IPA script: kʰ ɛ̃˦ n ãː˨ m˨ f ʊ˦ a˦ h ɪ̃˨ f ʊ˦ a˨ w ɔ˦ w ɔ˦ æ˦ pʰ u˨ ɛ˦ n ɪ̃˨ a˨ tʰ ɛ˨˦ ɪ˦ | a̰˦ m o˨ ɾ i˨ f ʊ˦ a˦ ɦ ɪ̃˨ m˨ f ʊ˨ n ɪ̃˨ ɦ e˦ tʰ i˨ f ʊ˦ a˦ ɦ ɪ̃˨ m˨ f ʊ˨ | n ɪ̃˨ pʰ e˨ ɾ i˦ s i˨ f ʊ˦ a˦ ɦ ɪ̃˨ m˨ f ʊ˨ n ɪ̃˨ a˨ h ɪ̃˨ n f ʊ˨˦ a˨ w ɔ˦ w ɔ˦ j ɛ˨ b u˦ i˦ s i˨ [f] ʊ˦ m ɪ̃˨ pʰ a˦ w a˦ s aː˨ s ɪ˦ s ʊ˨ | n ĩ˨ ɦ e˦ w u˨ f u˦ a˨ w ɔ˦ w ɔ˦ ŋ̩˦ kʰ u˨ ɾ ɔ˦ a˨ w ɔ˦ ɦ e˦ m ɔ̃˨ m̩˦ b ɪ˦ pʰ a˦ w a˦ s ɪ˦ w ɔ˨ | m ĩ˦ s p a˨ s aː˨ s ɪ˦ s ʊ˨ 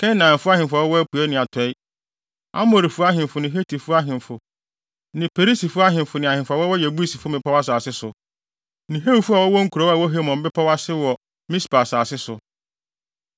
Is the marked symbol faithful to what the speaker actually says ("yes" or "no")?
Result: yes